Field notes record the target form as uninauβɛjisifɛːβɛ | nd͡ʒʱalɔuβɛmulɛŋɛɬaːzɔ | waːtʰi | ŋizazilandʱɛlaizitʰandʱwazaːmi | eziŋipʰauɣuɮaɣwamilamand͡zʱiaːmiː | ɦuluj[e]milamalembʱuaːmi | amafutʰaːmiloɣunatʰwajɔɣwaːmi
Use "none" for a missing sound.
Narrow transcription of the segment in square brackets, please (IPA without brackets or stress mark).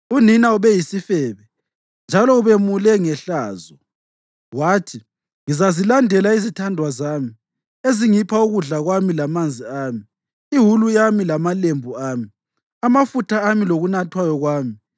a